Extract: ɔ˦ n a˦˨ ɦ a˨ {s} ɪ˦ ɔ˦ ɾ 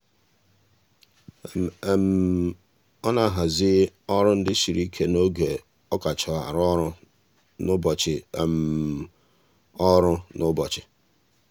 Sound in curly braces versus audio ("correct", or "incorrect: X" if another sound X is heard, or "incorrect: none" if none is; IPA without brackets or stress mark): incorrect: z